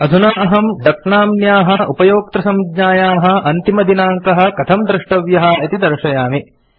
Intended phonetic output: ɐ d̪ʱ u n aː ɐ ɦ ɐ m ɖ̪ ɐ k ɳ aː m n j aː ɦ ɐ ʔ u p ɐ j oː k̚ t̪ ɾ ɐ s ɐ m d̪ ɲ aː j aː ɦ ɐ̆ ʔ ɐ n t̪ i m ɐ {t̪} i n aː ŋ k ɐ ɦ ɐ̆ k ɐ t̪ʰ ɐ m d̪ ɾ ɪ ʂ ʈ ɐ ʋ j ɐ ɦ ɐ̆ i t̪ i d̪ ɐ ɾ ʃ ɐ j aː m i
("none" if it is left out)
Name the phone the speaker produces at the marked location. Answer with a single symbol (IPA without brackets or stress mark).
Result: d̪